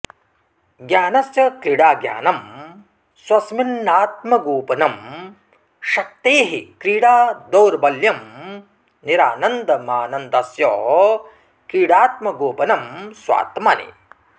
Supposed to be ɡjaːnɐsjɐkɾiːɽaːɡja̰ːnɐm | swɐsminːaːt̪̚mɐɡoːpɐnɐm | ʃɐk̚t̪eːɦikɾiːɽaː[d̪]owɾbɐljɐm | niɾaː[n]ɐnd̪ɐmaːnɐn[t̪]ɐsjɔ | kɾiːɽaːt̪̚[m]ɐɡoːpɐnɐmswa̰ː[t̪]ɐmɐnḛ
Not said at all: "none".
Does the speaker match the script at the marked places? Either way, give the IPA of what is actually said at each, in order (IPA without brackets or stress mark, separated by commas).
d̪, n, d̪, m, t̪